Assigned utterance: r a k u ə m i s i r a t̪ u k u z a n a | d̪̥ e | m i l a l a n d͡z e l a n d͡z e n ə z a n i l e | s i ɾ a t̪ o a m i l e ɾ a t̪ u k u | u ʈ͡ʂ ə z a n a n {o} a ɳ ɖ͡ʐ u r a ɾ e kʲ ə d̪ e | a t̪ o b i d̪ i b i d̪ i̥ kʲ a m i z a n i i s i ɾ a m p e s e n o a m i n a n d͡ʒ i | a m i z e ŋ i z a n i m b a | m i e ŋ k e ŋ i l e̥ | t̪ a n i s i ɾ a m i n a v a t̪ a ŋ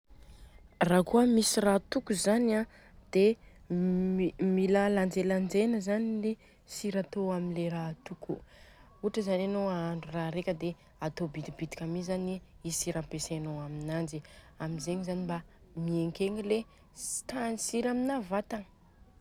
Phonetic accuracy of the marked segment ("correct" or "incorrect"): correct